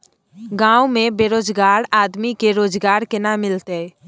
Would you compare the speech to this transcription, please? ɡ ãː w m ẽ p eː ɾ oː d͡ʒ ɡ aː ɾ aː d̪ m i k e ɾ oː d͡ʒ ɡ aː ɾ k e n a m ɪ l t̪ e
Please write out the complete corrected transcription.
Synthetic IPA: ɡ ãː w m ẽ b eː ɾ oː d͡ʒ ɡ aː ɾ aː d̪ m i k e ɾ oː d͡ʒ ɡ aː ɾ k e n a m ɪ l t̪ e